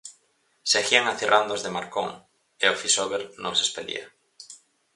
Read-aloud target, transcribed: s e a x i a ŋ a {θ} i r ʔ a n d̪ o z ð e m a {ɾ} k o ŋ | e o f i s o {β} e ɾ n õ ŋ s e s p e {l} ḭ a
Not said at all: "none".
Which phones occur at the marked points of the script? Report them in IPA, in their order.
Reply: θ, ɾ, β, l

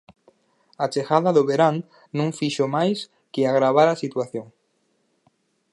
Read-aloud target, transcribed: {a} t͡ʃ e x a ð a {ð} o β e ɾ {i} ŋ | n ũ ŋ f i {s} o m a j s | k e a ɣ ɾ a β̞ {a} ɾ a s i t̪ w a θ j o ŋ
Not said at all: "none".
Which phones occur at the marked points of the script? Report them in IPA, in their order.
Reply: a, ð, a, ʃ, a

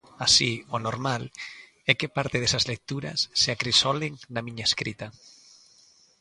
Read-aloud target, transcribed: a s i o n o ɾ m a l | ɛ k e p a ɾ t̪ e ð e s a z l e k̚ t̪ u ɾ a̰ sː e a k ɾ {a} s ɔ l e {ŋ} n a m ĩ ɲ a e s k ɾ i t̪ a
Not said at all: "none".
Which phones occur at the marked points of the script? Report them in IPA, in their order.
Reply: i, ŋ

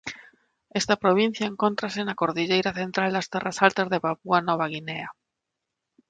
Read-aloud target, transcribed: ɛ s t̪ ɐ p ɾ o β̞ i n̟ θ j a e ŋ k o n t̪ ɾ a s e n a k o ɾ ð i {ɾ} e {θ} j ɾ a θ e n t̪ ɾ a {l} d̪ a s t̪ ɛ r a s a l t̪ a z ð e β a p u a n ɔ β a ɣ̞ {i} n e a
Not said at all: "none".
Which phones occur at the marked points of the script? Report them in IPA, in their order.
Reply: ʎ, none, l, i

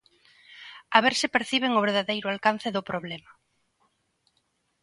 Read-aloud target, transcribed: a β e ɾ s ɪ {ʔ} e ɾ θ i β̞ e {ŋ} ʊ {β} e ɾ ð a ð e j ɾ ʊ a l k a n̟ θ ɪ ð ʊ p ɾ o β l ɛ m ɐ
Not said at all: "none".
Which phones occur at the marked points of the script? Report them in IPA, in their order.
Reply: p, ŋ, β

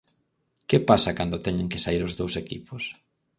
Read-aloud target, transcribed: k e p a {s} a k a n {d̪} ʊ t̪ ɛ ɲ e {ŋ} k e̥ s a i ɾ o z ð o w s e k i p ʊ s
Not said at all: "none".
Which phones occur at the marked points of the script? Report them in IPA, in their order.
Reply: s, d̪, ŋ

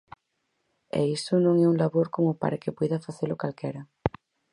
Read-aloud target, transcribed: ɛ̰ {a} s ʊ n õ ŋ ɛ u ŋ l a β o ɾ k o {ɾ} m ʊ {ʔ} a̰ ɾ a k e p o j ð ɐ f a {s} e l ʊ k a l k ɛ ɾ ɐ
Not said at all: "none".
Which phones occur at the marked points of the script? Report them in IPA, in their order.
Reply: i, none, p, θ

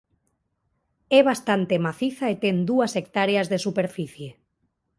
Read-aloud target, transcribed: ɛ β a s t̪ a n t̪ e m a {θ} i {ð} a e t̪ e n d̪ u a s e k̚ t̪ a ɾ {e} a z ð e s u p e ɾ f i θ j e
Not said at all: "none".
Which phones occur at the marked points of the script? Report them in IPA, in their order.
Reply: θ, θ, e

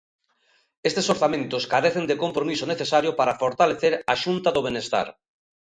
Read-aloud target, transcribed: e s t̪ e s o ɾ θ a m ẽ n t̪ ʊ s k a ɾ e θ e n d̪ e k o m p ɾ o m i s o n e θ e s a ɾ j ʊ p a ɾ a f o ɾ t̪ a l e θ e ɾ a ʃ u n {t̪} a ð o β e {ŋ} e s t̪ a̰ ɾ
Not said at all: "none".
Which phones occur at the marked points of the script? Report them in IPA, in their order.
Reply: t̪, n

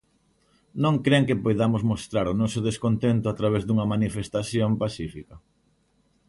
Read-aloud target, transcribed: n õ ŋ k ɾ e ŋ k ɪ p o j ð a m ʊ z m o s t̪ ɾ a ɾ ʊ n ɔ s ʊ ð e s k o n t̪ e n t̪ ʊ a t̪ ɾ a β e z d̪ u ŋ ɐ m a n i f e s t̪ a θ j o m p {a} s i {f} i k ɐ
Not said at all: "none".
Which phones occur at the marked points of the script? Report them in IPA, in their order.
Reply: a, f

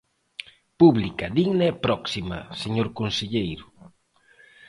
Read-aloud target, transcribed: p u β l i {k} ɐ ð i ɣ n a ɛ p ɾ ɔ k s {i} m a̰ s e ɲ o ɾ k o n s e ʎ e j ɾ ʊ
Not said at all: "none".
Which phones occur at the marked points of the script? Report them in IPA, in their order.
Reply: k, i

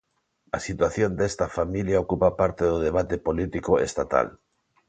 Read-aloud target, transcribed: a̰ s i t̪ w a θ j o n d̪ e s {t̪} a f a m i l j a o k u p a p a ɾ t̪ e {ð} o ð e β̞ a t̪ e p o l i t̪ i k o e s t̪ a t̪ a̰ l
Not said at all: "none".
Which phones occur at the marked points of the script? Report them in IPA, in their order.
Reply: t̪, ð

